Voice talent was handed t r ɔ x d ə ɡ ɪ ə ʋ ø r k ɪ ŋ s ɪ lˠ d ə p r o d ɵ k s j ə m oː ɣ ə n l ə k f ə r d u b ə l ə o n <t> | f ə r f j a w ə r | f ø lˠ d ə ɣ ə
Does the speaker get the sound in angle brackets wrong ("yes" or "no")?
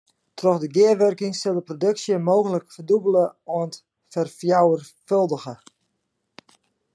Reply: no